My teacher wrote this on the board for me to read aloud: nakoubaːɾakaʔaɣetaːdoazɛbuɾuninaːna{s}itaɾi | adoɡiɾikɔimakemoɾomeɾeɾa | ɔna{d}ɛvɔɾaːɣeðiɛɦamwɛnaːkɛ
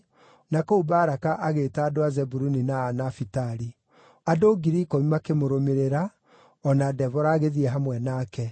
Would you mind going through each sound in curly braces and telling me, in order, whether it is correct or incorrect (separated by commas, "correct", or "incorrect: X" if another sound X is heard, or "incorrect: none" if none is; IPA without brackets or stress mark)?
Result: incorrect: f, correct